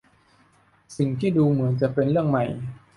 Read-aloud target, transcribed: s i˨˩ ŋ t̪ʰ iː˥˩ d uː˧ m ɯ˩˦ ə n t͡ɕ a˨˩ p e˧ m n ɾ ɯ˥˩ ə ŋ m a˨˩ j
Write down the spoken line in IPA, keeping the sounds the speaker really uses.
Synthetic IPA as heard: s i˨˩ ŋ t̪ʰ iː˥˩ d uː˧ m ɯ˩˦ ə n t͡ɕ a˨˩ p e˧ n ɾ ɯ˥˩ ə ŋ m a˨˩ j

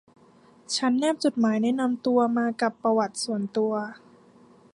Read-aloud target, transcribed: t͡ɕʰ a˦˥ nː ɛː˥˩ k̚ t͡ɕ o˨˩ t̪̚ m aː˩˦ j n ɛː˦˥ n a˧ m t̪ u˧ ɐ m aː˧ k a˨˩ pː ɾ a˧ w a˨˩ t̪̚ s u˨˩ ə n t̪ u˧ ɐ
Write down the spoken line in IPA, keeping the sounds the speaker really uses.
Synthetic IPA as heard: t͡ɕʰ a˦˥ nː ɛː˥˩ p̚ t͡ɕ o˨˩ t̪̚ m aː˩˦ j n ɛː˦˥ n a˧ m t̪ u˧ ɐ m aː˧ k a˨˩ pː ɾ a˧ w a˨˩ t̪̚ s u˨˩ ə n t̪ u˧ ɐ

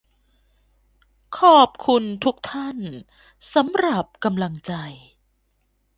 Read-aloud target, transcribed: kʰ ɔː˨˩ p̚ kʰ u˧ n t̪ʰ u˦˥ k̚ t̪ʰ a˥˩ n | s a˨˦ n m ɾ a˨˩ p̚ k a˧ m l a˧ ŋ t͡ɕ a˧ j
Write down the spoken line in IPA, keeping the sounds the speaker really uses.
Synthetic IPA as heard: kʰ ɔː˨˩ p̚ kʰ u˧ n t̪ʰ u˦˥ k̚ t̪ʰ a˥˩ n | s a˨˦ m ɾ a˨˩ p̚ k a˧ m l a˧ ŋ t͡ɕ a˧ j

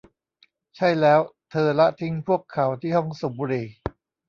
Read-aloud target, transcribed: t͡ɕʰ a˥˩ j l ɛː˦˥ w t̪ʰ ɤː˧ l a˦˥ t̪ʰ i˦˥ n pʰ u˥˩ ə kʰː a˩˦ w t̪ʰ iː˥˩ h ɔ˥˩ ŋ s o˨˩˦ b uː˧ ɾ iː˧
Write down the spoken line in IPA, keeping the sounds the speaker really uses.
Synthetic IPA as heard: t͡ɕʰ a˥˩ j l ɛː˦˥ w t̪ʰ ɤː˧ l a˦˥ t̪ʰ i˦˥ ŋ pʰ u˥˩ ə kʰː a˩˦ w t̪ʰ iː˥˩ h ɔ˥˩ ŋ s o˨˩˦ b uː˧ ɾ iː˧

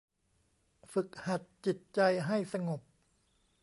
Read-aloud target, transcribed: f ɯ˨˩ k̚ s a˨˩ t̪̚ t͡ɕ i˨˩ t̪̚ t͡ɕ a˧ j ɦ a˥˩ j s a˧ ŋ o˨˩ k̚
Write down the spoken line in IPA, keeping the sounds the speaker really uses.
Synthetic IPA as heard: f ɯ˨˩ k̚ h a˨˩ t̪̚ t͡ɕ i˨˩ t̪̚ t͡ɕ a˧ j ɦ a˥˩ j s a˧ ŋ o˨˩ p̚

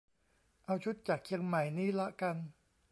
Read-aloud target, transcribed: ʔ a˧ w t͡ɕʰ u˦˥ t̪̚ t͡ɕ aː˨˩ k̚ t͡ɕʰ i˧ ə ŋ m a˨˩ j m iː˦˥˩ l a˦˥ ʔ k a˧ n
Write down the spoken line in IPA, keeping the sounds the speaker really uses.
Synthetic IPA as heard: ʔ a˧ w t͡ɕʰ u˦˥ t̪̚ t͡ɕ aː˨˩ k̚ t͡ɕʰ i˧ ə ŋ m a˨˩ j n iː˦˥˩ l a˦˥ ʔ k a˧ n

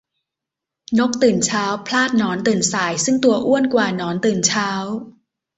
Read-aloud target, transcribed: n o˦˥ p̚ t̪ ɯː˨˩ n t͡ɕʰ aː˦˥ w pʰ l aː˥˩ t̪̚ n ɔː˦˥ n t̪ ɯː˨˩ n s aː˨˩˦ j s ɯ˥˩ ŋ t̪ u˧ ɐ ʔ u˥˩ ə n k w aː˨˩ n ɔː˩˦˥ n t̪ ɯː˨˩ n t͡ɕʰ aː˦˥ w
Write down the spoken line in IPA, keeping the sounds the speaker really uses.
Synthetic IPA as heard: n o˦˥ k̚ t̪ ɯː˨˩ n t͡ɕʰ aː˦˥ w pʰ l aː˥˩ t̪̚ n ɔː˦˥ n t̪ ɯː˨˩ n s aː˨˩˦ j s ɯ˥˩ ŋ t̪ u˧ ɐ ʔ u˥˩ ə n k w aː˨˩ n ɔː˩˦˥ n t̪ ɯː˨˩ n t͡ɕʰ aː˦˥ w

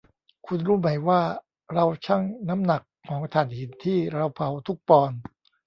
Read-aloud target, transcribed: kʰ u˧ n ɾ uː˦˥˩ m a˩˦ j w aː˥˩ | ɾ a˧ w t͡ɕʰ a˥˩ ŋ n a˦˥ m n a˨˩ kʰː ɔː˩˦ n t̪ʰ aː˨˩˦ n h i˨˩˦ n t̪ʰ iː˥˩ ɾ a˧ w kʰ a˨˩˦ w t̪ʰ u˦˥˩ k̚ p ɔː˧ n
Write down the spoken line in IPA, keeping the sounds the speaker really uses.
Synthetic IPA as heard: kʰ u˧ n ɾ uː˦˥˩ m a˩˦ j w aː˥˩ | ɾ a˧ w t͡ɕʰ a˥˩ ŋ n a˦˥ m n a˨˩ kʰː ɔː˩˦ ŋ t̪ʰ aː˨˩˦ n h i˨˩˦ n t̪ʰ iː˥˩ ɾ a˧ w pʰ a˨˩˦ w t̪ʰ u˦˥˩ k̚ p ɔː˧ n

